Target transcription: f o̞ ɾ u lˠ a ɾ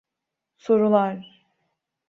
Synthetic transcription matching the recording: s o̞ ɾ u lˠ a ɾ